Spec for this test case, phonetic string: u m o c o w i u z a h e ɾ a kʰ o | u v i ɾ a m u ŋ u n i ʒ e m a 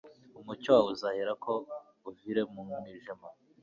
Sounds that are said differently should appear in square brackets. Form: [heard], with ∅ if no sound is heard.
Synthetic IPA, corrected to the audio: u m [u] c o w [a] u z a h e ɾ a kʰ o | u v i ɾ [e] m u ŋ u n i ʒ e m a